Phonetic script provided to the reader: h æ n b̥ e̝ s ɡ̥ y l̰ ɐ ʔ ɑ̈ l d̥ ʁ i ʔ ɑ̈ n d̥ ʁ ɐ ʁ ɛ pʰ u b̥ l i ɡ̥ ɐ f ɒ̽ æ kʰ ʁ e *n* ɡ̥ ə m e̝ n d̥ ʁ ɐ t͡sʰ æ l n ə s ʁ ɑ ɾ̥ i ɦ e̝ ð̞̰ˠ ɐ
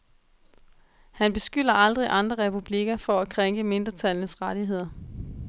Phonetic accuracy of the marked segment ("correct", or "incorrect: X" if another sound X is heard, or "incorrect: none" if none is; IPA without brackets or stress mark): incorrect: ŋ